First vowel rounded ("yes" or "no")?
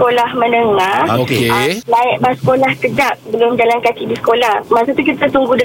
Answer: yes